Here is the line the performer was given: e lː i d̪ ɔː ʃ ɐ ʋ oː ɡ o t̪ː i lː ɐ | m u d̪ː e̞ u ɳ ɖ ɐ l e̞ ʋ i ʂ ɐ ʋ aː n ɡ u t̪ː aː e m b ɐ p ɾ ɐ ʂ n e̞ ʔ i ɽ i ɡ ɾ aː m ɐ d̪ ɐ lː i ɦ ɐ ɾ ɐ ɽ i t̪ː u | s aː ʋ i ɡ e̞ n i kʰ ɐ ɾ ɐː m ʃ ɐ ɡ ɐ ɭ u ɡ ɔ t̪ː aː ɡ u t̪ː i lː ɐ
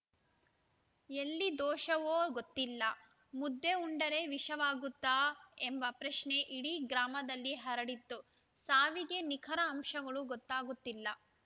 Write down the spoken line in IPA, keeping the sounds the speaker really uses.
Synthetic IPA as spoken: e lː i d̪ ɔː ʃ ɐ ʋ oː ɡ o t̪ː i lː ɐ | m u d̪ː e̞ u ɳ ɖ ɐ ɾ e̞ ʋ i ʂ ɐ ʋ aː ɡ u t̪ː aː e m b ɐ p ɾ ɐ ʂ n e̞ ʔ i ɽ i ɡ ɾ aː m ɐ d̪ ɐ lː i ɦ ɐ ɾ ɐ ɽ i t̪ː u | s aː ʋ i ɡ e̞ n i kʰ ɐ ɾ ɐː m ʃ ɐ ɡ ɐ ɭ u ɡ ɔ t̪ː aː ɡ u t̪ː i lː ɐ